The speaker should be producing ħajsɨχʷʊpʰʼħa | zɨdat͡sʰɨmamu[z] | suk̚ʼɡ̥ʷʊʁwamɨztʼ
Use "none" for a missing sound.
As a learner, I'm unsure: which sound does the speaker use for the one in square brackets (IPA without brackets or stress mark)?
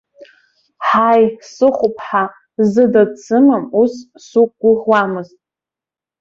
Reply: s